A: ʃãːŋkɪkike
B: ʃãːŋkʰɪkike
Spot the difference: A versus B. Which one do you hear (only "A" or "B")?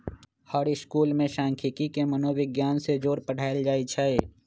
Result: B